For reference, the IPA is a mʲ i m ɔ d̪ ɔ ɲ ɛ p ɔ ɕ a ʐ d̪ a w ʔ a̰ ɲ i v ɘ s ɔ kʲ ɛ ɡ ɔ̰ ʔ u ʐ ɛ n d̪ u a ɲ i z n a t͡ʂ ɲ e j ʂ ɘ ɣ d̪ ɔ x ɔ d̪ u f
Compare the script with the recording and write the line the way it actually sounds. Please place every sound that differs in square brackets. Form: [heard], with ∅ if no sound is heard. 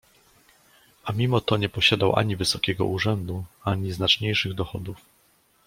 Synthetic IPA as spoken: a mʲ i m ɔ [t̪] ɔ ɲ ɛ p ɔ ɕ a [∅] d̪ a w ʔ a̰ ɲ i v ɘ s ɔ kʲ ɛ ɡ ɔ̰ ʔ u ʐ ɛ n d̪ u a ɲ i z n a t͡ʂ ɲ e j ʂ ɘ ɣ d̪ ɔ x ɔ d̪ u f

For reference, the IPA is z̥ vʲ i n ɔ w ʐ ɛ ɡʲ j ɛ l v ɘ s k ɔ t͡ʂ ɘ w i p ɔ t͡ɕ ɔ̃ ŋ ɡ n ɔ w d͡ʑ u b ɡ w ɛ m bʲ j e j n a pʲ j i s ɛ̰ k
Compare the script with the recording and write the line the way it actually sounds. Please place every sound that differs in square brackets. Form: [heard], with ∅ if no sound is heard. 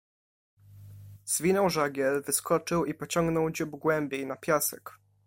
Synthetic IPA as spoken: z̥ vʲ i n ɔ w ʐ [a] ɡʲ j ɛ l v ɘ s k ɔ t͡ʂ ɘ w i p ɔ t͡ɕ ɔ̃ ŋ ɡ n ɔ w d͡ʑ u b ɡ w ɛ m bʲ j e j n a pʲ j [a] s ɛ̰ k

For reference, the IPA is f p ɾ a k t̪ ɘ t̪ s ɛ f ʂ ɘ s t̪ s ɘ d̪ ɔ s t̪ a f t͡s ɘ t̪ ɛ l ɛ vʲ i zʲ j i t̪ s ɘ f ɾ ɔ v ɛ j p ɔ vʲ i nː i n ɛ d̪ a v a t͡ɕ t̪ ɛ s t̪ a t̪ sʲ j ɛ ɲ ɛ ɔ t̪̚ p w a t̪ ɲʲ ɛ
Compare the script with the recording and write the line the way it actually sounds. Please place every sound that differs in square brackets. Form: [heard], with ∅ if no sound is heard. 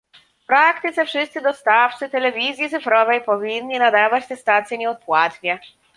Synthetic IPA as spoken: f p ɾ a k t̪ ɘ t̪ s ɛ f ʂ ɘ s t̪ s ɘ d̪ ɔ s t̪ a f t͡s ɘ t̪ ɛ l ɛ vʲ i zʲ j i t̪ s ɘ f ɾ ɔ v ɛ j p ɔ vʲ i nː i n [a] d̪ a v a t͡ɕ t̪ ɛ s t̪ a t̪ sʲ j ɛ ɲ ɛ ɔ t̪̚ p w a t̪ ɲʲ ɛ

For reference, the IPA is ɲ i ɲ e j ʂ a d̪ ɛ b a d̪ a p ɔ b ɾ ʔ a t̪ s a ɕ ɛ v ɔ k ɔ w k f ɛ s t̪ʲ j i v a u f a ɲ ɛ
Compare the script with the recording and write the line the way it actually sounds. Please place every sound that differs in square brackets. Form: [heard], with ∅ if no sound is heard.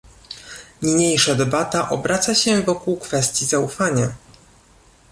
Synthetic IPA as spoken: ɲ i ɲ e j ʂ a d̪ ɛ b a [t̪] a [ʔ] ɔ b ɾ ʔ a t̪ s a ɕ ɛ v ɔ k [u] w k f ɛ s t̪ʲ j i [z] a u f a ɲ [a]

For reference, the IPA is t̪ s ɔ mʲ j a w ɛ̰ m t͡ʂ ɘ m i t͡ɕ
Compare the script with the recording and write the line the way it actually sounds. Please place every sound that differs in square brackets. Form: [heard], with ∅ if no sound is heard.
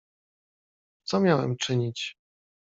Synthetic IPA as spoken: t̪ s ɔ mʲ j a w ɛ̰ m t͡ʂ ɘ [ɲ] i t͡ɕ

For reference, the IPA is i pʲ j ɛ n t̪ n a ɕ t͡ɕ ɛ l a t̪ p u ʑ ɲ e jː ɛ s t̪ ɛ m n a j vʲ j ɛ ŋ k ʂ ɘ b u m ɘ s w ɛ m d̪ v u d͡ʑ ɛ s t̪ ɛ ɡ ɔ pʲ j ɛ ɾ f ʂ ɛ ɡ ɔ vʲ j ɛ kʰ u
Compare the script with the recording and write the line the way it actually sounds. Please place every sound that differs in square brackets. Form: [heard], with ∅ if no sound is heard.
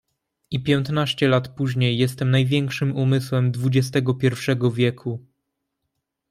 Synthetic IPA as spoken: i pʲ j ɛ n t̪ n a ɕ t͡ɕ ɛ l a t̪ p u ʑ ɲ e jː ɛ s t̪ ɛ m n a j vʲ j ɛ ŋ k ʂ ɘ [m] u m ɘ s w ɛ m d̪ v u d͡ʑ ɛ s t̪ ɛ ɡ ɔ pʲ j ɛ ɾ f ʂ ɛ ɡ ɔ vʲ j ɛ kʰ u

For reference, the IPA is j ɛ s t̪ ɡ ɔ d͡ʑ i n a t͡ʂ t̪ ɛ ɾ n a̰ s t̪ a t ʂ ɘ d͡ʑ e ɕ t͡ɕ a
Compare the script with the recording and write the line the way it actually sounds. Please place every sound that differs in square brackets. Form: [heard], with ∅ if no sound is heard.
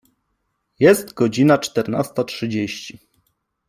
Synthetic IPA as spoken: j ɛ s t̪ ɡ ɔ d͡ʑ i n a t͡ʂ t̪ ɛ ɾ n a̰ s t̪ a t ʂ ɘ d͡ʑ e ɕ t͡ɕ [i]

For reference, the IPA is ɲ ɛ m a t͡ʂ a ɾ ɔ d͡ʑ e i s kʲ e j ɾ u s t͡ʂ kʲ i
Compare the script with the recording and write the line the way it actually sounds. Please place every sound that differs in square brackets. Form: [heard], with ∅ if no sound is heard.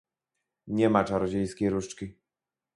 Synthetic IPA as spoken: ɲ ɛ m a t͡ʂ a ɾ ɔ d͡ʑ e [j] s kʲ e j ɾ u [ʂ] t͡ʂ kʲ i

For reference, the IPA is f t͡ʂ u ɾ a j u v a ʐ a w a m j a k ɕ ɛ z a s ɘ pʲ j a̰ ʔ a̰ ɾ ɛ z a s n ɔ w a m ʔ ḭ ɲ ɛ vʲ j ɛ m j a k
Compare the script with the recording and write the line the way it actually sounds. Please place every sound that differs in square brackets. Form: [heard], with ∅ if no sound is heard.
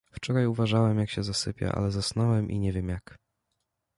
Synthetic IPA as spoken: f t͡ʂ [ɔ] ɾ a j u v a ʐ a w [ɛ] m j a k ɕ ɛ z a s ɘ pʲ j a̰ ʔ a̰ [l] ɛ z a s n ɔ w [ɛ] m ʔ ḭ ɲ ɛ vʲ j ɛ m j a k

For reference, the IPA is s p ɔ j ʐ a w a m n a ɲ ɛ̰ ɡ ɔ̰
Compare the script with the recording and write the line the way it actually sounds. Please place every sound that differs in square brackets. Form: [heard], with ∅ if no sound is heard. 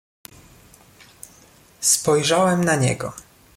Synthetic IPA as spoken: s p ɔ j ʐ a w [ɛ] m n a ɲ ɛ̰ ɡ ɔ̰

